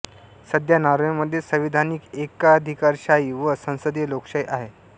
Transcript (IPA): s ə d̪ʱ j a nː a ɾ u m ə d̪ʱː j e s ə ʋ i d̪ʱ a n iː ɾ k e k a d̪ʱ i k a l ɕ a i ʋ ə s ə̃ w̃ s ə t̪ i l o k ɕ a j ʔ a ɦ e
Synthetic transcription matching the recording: s ə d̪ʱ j a n a ɾ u m ə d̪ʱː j e s ə ʋ i d̪ʱ a n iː k e k a d̪ʱ i k a ɾ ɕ a i ʋ ə s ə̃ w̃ s ə d̪ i l o k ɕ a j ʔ a ɦ e

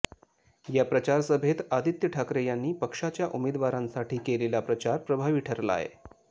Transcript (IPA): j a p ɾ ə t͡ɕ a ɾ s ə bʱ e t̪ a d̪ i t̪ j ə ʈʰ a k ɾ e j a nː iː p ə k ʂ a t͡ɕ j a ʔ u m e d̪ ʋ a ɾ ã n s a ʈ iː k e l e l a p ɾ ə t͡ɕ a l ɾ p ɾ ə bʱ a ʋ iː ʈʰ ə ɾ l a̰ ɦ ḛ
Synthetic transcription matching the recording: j a p ɾ ə t͡ɕ a ɾ s ə bʱ e t̪ a d̪ i t̪ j ə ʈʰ a k ɾ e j a nː iː p ə k ʂ a t͡ɕ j a ʔ u m e d̪ ʋ a ɾ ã n s a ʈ iː k e l e l a p ɾ ə t͡ɕ a ɾ p ɾ ə bʱ a ʋ iː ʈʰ ə ɾ l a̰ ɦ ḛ

